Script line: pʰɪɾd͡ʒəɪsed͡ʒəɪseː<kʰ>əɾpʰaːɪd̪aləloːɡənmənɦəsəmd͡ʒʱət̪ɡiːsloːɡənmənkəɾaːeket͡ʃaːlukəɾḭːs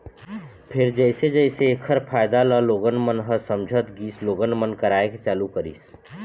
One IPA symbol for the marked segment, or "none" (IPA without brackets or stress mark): kʰ